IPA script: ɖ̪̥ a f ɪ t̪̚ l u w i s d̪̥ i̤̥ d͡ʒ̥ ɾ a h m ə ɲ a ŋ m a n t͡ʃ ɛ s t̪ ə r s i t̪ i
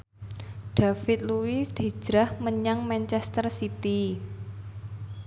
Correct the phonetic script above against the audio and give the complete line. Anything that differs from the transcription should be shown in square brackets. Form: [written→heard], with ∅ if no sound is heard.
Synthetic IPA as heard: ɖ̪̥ a f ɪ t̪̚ l u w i s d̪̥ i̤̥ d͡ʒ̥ ɾ a h m ə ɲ a ŋ m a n t͡ʃ ɛ s t̪ ə r s i t̪ i